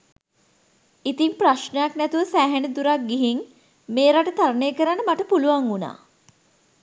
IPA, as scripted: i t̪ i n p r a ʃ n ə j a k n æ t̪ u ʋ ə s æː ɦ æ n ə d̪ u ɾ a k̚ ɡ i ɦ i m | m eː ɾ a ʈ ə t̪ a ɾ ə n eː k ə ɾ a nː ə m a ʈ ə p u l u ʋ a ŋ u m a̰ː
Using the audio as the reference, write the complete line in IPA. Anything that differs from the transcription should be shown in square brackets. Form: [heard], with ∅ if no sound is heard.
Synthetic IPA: i t̪ i [m] p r a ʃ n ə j a k n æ t̪ u ʋ ə s æː ɦ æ n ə d̪ u ɾ a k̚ ɡ i ɦ i [ŋ] | m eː ɾ a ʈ ə t̪ a ɾ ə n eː k ə ɾ a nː ə m a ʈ ə p u l u ʋ a ŋ u [n] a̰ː